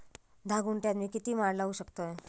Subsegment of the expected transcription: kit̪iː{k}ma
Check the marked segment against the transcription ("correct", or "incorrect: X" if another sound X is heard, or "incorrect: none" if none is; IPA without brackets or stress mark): incorrect: none